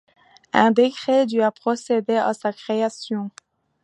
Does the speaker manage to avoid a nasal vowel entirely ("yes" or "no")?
no